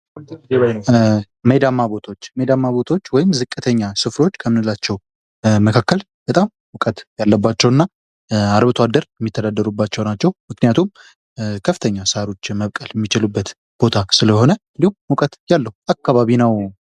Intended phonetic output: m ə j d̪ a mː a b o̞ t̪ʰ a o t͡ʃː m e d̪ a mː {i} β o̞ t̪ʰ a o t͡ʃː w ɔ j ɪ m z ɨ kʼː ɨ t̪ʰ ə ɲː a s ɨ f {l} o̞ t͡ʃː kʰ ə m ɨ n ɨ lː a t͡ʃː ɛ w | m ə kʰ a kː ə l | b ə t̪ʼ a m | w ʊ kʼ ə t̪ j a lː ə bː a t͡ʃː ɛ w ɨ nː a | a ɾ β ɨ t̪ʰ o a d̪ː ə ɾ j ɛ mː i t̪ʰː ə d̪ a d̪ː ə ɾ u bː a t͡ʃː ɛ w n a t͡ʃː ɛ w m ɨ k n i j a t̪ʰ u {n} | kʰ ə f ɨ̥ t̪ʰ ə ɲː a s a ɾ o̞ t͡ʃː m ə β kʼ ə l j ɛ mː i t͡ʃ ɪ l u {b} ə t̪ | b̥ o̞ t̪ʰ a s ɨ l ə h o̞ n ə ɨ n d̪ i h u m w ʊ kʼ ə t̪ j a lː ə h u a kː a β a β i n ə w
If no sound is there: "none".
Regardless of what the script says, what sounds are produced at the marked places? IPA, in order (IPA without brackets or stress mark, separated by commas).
a, ɾ, m, bː